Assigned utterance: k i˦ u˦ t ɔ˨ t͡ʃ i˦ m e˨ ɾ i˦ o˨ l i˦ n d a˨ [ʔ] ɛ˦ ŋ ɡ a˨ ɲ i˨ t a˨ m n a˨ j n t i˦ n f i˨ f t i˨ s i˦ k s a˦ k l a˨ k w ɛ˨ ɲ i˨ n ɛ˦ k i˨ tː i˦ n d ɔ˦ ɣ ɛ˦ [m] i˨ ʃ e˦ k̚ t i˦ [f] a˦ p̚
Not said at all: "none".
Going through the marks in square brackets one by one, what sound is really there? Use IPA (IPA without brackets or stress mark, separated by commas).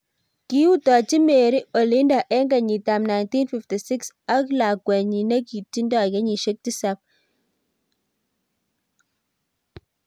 ʔ, ɲ, s